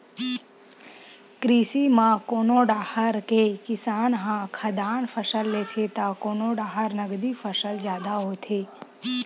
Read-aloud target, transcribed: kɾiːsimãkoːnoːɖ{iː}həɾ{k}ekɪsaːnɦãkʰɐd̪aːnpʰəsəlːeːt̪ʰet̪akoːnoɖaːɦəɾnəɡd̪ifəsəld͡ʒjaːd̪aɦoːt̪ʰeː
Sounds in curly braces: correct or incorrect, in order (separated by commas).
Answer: incorrect, correct